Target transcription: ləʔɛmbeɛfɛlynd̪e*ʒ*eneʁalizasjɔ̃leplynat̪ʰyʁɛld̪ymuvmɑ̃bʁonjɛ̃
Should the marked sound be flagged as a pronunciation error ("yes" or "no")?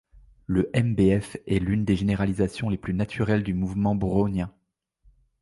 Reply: no